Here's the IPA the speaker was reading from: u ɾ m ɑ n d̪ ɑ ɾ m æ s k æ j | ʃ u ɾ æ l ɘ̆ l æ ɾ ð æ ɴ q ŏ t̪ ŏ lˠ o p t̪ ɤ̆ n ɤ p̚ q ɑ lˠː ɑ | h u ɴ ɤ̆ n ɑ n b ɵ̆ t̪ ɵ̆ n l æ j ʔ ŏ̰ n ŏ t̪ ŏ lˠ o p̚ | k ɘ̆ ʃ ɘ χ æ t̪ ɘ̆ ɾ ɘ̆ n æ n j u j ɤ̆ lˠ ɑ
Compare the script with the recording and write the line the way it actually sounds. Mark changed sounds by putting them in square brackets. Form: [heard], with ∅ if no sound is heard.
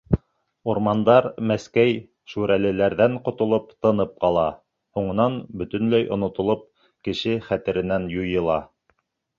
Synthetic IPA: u ɾ m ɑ n d̪ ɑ ɾ m æ s k æ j | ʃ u ɾ æ l ɘ̆ l æ ɾ ð æ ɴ q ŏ t̪ ŏ lˠ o p t̪ ɤ̆ n ɤ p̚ q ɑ [lˠ] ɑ | h u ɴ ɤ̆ n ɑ n b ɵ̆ t̪ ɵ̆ n l æ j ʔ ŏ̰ n ŏ t̪ ŏ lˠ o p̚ | k ɘ̆ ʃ ɘ χ æ t̪ ɘ̆ ɾ ɘ̆ n æ n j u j ɤ̆ lˠ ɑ